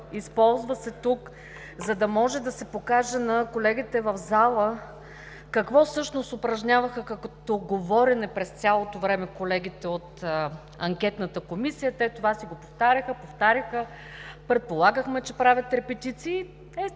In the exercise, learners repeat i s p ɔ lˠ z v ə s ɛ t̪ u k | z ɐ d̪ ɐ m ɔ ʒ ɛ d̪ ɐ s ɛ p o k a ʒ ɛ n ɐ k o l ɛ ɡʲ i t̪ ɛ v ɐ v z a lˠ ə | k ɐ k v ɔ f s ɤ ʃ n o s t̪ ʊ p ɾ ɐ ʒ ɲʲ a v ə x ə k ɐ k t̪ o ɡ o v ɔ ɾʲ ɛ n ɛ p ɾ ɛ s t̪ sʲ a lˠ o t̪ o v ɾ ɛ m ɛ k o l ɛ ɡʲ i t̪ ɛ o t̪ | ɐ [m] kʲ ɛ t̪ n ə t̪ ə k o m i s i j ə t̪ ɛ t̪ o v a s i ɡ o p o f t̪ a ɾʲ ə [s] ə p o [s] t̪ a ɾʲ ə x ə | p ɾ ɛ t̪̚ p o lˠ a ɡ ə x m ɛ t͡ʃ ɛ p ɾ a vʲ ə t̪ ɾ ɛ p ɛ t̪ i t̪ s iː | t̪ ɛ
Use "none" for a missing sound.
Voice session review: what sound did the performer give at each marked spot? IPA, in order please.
ŋ, x, f

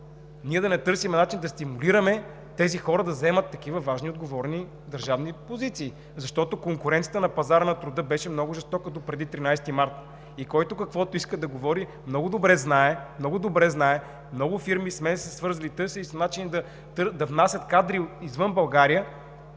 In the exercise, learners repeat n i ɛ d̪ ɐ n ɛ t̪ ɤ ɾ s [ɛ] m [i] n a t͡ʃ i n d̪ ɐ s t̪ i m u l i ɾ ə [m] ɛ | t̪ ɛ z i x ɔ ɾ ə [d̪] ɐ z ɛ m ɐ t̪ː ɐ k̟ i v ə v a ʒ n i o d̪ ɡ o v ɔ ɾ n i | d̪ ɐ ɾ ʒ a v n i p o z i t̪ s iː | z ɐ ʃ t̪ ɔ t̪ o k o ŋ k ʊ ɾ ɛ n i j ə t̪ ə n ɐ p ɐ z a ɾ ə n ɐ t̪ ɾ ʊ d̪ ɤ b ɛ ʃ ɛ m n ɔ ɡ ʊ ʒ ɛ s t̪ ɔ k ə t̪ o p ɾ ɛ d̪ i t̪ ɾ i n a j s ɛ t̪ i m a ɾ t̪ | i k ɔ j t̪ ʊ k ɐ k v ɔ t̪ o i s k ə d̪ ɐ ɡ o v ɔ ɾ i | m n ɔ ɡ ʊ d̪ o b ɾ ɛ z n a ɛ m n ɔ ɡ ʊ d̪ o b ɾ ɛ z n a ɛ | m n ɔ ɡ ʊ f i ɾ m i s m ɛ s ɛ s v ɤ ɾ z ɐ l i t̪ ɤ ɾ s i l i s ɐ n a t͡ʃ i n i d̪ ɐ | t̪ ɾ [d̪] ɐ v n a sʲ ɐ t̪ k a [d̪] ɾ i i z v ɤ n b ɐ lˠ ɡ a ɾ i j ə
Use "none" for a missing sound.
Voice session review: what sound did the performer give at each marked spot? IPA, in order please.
i, ɛ, m, d̪, d̪, d̪

